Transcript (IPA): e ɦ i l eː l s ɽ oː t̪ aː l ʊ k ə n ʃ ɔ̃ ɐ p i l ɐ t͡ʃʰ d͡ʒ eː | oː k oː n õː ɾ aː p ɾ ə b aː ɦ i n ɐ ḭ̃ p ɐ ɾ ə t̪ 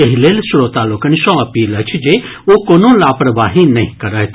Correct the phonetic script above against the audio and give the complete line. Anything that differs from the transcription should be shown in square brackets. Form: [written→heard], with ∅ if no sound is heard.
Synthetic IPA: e ɦ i l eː l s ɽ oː t̪ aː l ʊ k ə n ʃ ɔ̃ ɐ p [i→iː] l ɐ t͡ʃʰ d͡ʒ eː | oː k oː n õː [ɾ→l] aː p ɾ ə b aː ɦ i n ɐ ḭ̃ [p→k] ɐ ɾ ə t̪